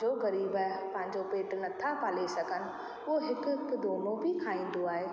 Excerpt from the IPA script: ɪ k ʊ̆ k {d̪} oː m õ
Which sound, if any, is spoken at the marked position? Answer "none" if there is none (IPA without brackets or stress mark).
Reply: d̪